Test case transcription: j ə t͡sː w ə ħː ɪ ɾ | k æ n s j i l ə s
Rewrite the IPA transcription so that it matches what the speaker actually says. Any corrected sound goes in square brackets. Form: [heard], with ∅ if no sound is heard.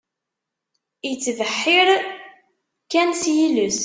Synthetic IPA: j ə t͡sː [v] ə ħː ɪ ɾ | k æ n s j i l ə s